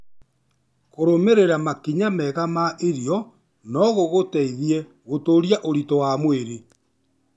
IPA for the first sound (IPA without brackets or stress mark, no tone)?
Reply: k